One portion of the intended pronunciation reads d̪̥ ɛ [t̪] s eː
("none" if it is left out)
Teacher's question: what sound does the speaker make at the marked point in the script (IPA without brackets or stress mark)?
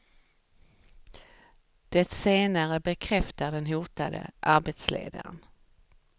t̪